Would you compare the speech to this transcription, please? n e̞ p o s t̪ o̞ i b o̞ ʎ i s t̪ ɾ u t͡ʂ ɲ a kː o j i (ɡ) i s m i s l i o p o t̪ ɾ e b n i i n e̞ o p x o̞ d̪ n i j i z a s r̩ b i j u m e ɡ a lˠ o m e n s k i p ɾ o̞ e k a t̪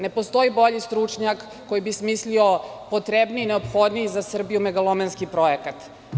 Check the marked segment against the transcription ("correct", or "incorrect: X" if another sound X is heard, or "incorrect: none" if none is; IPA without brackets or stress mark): incorrect: b